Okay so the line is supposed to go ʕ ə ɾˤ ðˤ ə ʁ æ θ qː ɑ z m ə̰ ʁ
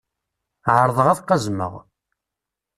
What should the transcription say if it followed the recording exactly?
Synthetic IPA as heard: ʕ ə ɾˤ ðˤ ə ʁ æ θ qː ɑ z m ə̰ ʁ